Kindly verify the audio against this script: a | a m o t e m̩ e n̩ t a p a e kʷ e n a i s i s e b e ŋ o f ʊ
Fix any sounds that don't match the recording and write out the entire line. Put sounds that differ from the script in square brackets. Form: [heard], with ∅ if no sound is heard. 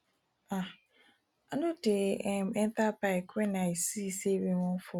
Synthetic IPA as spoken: a | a [n] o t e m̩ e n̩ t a p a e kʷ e n a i s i s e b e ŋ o f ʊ